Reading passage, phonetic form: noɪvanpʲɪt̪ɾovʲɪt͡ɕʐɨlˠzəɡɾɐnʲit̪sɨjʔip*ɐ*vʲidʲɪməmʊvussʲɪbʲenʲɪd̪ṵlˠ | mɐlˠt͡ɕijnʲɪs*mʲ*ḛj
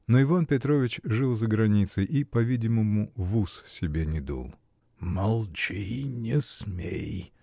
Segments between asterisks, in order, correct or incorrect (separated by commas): correct, correct